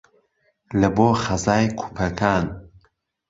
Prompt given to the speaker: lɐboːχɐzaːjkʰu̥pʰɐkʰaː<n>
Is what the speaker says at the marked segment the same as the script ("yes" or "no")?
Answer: yes